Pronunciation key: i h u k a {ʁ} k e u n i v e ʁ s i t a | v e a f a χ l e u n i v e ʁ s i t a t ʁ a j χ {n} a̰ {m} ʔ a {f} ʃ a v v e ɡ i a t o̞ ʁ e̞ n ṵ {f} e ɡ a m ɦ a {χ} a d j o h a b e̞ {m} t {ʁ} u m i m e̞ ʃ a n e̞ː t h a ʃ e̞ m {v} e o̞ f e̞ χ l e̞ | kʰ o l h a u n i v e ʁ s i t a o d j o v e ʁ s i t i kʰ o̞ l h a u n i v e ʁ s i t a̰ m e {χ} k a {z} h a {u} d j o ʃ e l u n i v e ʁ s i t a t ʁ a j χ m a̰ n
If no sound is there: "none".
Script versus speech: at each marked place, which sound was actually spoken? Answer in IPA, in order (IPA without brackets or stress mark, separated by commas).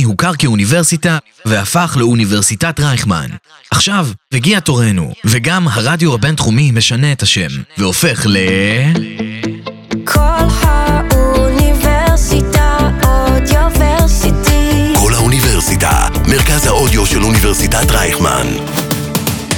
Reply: ʁ, m, n, χ, v, ʁ, n, χ, v, ʁ, z, o